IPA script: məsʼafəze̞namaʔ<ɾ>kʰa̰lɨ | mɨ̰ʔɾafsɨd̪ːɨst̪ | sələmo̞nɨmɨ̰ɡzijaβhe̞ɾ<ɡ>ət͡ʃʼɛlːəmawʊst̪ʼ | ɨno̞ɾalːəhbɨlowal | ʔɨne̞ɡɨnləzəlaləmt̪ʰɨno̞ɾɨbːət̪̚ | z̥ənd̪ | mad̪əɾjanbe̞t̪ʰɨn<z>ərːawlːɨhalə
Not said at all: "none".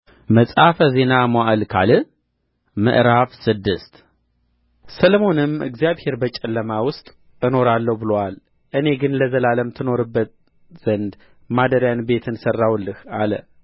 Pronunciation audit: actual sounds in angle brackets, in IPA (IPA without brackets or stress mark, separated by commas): l, b, s